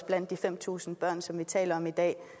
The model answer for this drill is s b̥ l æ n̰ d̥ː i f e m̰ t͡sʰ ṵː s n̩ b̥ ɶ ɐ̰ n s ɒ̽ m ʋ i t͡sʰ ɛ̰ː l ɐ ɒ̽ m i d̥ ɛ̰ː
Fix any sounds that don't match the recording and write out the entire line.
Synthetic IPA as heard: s b̥ l æ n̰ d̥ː i f e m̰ t͡sʰ ṵː s n̩ b̥ ɶ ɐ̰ n s ɒ̽ m ʋ i t͡sʰ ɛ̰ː l ɐ ɒ̽ m i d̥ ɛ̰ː